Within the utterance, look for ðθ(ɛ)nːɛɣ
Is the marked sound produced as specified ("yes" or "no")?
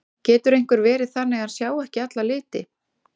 no